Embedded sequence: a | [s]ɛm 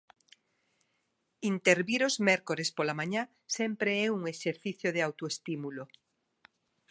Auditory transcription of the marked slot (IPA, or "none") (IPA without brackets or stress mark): s